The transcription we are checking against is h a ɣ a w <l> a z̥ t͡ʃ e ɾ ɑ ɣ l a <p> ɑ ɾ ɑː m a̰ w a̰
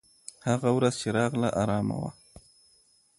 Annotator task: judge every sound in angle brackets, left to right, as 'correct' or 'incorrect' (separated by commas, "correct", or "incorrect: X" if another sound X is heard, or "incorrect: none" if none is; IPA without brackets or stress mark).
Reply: incorrect: ɾ, incorrect: ʔ